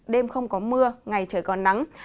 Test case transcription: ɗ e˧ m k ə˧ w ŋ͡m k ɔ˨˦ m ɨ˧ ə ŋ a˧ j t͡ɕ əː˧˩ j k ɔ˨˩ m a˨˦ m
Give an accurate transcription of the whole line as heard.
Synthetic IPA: ɗ e˧ m x ə˧ w ŋ͡m k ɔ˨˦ m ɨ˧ ə ŋ a˨˩ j t͡ɕ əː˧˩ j k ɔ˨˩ n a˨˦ ŋ